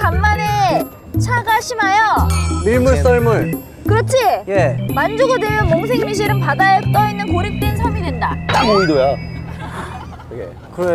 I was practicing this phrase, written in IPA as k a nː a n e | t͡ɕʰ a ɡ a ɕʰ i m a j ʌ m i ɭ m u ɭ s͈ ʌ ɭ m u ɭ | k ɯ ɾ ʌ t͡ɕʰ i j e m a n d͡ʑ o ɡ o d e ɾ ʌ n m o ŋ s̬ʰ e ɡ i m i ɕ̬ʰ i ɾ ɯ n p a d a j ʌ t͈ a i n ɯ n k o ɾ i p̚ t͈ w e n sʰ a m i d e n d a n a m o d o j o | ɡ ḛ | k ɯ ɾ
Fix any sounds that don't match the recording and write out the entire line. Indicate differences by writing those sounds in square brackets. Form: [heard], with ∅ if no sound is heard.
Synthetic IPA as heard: k a [mː] a n e | t͡ɕʰ a ɡ a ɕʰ i m a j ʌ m i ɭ m u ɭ s͈ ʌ ɭ m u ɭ | k ɯ ɾ ʌ t͡ɕʰ i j e m a n d͡ʑ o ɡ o d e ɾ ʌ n m o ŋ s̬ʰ e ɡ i m i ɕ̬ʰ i ɾ ɯ n p a d a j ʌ t͈ [ʌ] i [nː] ɯ n k o ɾ i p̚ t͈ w e n sʰ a m i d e n d a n a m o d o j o | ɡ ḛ | k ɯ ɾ

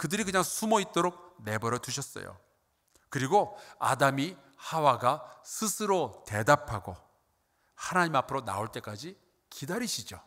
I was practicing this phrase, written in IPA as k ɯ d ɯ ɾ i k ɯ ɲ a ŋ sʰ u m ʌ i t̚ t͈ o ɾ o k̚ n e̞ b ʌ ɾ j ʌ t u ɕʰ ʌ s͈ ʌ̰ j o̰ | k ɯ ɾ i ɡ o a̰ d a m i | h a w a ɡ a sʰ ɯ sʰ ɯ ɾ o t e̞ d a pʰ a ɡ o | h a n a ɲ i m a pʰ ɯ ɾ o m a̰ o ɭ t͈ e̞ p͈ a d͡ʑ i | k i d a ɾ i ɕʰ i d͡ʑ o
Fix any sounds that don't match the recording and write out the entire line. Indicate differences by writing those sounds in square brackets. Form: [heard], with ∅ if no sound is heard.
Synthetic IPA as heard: k ɯ d ɯ ɾ i k ɯ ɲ a ŋ sʰ u m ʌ i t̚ t͈ o ɾ o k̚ n e̞ b ʌ ɾ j ʌ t u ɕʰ ʌ s͈ ʌ̰ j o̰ | k ɯ ɾ i ɡ o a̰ d a m i | h a w a ɡ a sʰ ɯ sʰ ɯ ɾ o t e̞ d a pʰ a ɡ o | h a n a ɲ i m a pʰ ɯ ɾ o [n] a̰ o ɭ t͈ e̞ [k͈] a d͡ʑ i | k i d a ɾ i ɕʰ i d͡ʑ o

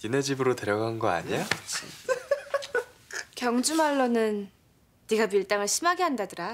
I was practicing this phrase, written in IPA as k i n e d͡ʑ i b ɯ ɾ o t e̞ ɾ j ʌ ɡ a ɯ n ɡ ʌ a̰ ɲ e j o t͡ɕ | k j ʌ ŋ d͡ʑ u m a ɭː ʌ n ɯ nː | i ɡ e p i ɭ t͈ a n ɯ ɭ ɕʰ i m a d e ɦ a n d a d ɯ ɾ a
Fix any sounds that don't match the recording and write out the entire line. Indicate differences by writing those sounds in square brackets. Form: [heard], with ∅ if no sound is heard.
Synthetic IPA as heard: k i n e d͡ʑ i b ɯ ɾ o t e̞ ɾ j ʌ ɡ a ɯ n ɡ ʌ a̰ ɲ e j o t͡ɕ | k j ʌ ŋ d͡ʑ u m a ɭː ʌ n ɯ nː | i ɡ [a] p i ɭ t͈ a [ŋ] ɯ ɭ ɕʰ i m a [ɡ] e ɦ a n d a d ɯ ɾ a

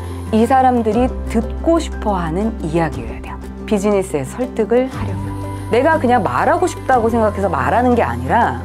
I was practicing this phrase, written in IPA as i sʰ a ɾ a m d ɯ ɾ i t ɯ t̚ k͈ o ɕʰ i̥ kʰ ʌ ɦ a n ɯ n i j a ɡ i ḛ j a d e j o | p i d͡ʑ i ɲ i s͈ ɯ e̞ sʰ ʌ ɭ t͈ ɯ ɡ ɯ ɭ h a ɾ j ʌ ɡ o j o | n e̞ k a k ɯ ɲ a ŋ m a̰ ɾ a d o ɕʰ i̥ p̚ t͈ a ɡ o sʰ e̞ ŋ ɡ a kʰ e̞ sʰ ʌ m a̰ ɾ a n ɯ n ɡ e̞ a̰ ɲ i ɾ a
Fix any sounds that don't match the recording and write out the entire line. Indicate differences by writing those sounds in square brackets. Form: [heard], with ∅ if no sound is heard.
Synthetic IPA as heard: i sʰ a ɾ a m d ɯ ɾ i t ɯ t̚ k͈ o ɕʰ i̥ [pʰ] ʌ ɦ a n ɯ n i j a ɡ i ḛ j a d e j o | p i d͡ʑ i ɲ i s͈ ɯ e̞ sʰ ʌ ɭ t͈ ɯ ɡ ɯ ɭ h a ɾ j ʌ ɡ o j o | n e̞ [ɡ] a k ɯ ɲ a ŋ m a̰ ɾ a [ɡ] o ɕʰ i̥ p̚ t͈ a ɡ o sʰ e̞ ŋ ɡ a kʰ e̞ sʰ ʌ m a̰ ɾ a n ɯ n ɡ e̞ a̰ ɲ i ɾ a

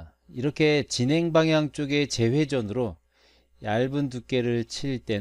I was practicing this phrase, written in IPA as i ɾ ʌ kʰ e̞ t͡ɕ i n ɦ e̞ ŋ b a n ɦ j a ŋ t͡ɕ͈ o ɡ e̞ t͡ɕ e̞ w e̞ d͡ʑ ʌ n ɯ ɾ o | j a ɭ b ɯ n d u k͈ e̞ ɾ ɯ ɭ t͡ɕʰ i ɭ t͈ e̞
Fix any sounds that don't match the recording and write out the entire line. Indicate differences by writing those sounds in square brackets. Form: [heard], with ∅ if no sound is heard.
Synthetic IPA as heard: i ɾ ʌ kʰ e̞ t͡ɕ i n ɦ e̞ ŋ b a [ŋ] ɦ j a ŋ t͡ɕ͈ o ɡ e̞ t͡ɕ e̞ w e̞ d͡ʑ ʌ n ɯ ɾ o | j a ɭ b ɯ n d u k͈ e̞ ɾ ɯ ɭ t͡ɕʰ i ɭ t͈ e̞

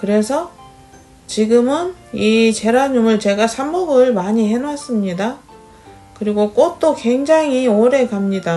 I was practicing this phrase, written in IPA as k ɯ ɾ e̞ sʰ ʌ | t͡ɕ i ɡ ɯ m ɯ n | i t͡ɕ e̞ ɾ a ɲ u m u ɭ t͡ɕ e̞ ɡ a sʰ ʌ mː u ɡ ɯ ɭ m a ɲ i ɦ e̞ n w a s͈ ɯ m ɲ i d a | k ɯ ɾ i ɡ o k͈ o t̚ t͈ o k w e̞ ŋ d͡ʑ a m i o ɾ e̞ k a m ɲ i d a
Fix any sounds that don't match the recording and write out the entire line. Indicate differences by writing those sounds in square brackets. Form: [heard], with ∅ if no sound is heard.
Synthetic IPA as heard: k ɯ ɾ e̞ sʰ ʌ | t͡ɕ i ɡ ɯ m ɯ n | i t͡ɕ e̞ ɾ a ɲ u m [ɯ] ɭ t͡ɕ e̞ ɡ a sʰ [a] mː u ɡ ɯ ɭ m a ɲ i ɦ e̞ n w a s͈ ɯ m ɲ i d a | k ɯ ɾ i ɡ o k͈ o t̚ t͈ o k w e̞ ŋ d͡ʑ a [ŋ] i o ɾ e̞ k a m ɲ i d a

